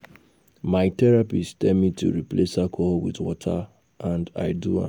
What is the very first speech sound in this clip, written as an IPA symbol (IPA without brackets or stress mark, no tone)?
m